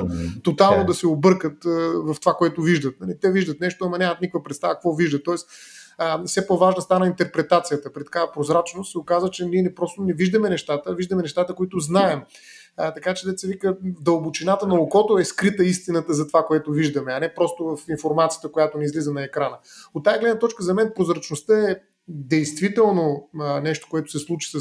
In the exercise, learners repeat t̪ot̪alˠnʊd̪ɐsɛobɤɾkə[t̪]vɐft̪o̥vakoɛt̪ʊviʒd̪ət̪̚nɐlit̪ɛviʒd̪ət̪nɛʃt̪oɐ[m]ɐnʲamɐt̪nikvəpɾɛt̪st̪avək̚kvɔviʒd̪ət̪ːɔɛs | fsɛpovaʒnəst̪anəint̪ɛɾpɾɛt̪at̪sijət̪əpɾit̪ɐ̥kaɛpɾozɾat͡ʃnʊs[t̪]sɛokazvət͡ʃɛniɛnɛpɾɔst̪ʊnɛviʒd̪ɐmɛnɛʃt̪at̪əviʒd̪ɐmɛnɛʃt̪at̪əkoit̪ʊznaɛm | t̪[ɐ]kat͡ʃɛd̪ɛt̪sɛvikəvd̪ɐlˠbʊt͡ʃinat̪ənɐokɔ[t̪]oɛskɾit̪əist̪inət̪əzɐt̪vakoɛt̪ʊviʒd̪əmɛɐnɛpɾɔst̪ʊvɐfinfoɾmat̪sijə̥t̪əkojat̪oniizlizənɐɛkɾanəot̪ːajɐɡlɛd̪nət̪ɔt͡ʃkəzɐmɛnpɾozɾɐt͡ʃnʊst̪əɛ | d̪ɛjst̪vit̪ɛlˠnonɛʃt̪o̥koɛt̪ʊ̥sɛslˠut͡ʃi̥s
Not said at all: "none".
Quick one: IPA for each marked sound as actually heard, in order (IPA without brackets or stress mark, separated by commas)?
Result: t̪, m, t̪, ɐ, t̪